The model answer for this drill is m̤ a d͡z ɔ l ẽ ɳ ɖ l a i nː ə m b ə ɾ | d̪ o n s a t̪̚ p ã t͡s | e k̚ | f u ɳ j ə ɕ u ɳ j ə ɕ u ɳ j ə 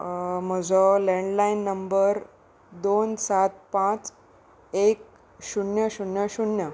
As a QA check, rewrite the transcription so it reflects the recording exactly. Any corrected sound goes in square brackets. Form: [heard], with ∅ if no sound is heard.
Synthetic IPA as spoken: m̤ [ə] d͡z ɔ l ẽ ɳ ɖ l a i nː ə m b ə ɾ | d̪ o n s a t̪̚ p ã t͡s | e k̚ | [ɕ] u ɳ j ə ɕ u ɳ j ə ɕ u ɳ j ə